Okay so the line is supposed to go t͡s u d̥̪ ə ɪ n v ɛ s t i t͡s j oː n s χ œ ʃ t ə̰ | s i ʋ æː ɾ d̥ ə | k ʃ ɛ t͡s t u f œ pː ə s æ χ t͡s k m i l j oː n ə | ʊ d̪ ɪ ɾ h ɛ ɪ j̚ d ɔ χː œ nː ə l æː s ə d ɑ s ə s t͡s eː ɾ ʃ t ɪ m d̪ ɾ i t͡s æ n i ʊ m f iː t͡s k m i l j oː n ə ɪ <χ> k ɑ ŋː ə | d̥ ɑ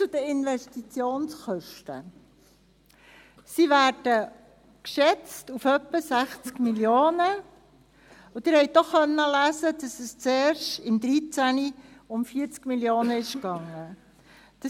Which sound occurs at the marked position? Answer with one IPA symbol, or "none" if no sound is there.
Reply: ʃ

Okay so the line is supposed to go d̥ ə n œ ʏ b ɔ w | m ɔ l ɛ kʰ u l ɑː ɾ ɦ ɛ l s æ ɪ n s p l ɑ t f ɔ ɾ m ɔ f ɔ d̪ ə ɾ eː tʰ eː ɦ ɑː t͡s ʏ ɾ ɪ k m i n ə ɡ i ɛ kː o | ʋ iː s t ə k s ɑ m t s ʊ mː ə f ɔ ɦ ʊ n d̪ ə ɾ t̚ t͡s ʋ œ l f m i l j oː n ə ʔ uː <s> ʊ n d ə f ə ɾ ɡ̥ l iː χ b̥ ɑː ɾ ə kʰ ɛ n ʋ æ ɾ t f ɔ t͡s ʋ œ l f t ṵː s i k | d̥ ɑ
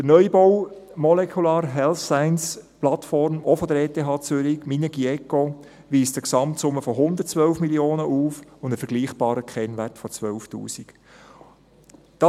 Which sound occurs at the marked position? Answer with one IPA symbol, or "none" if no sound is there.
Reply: f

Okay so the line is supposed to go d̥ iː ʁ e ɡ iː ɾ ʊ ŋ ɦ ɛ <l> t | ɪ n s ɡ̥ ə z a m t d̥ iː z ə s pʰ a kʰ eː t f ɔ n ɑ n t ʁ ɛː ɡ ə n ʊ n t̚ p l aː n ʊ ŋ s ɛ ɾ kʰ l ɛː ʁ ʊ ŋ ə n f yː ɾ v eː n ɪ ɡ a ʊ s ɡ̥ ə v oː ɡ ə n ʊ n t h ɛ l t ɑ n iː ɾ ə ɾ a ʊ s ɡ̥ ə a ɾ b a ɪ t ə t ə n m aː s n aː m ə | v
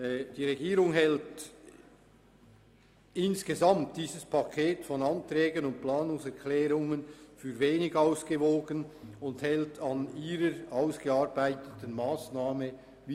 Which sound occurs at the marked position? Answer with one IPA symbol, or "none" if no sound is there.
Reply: l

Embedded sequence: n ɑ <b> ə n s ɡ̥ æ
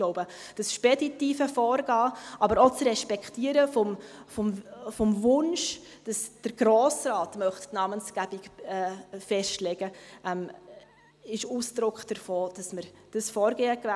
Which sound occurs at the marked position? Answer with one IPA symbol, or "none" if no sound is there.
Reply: m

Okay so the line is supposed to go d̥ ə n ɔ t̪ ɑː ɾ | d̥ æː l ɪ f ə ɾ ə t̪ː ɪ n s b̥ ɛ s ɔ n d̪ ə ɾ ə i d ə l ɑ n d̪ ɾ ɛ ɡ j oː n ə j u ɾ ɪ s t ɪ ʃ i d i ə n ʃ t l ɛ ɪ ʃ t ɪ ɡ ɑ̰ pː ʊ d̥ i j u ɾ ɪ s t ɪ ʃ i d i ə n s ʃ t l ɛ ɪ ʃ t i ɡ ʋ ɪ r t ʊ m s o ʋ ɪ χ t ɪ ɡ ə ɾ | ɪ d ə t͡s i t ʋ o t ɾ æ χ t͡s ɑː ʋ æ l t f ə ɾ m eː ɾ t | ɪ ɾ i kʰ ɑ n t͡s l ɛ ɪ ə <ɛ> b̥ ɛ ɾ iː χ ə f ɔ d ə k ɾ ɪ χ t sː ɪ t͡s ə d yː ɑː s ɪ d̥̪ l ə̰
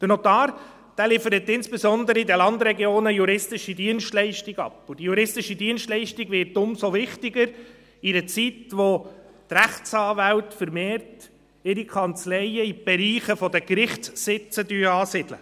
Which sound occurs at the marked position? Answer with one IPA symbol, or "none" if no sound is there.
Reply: i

